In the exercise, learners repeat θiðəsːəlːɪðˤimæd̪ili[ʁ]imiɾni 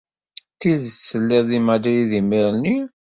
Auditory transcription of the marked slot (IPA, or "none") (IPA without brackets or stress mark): ð